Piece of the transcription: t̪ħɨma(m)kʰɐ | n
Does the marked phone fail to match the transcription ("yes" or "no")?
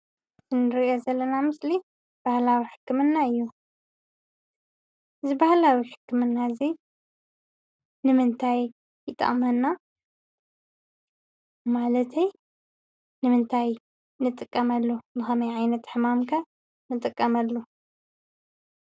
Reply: no